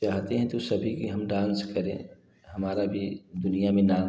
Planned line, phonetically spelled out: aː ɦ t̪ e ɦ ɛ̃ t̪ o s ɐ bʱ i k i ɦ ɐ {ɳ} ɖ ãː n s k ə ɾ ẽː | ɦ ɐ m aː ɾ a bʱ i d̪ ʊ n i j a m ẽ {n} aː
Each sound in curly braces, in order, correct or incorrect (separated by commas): incorrect, correct